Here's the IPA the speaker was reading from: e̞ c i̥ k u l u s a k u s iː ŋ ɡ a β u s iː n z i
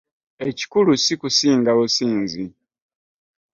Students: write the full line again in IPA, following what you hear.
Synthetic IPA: e̞ c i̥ k u l u s i k u s iː ŋ ɡ a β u s iː n z i